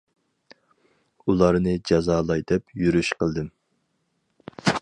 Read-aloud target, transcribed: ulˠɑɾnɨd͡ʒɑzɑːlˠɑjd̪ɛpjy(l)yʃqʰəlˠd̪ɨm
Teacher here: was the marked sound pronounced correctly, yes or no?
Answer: no